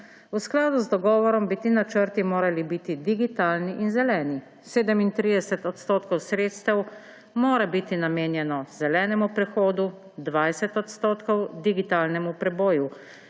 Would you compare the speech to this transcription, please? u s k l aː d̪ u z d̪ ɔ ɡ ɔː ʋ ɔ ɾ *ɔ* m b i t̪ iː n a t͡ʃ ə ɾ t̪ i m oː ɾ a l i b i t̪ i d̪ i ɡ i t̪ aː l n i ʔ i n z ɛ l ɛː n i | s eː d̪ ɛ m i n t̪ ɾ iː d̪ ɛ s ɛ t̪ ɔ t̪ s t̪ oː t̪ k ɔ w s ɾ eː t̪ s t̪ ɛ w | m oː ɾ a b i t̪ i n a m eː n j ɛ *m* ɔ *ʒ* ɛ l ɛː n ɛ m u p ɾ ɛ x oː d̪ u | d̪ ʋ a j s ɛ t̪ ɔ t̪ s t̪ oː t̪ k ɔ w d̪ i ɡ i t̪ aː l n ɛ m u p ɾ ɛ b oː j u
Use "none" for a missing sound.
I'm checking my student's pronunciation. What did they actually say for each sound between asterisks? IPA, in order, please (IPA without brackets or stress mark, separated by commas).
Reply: ɔ, n, z